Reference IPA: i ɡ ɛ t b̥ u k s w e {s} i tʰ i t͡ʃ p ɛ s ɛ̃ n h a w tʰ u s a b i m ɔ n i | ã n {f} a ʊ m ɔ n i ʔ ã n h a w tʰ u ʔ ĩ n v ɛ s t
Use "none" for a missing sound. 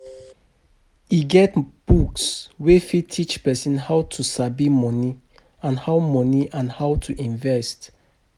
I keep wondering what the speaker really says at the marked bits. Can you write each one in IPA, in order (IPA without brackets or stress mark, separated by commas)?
f, h